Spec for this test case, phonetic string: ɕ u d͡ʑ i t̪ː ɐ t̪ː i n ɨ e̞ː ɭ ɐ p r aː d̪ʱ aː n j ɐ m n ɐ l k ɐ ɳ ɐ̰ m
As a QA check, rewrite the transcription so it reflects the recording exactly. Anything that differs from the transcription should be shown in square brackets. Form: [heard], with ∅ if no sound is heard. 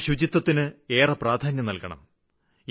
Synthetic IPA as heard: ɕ u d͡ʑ i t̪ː ɐ t̪ː i n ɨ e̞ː [r] ɐ p r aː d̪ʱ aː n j ɐ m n ɐ l k ɐ ɳ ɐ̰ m